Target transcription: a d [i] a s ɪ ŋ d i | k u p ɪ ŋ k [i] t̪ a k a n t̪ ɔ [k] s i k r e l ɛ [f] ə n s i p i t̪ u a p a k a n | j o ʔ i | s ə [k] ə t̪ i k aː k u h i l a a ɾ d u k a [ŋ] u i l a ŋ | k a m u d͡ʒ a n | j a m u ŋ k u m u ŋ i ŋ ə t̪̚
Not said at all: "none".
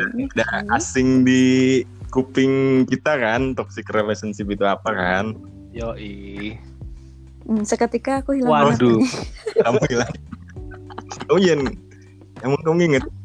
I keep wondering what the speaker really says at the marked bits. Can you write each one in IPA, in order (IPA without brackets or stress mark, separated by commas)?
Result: a, i, k, s, k, m